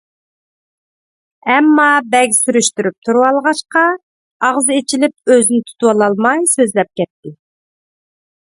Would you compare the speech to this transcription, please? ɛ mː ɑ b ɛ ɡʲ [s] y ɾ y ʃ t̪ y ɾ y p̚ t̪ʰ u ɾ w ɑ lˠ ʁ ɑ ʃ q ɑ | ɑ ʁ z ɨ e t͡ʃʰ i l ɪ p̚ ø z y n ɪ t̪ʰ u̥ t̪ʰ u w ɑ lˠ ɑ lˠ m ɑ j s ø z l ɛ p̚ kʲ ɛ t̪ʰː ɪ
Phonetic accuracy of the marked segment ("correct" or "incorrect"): correct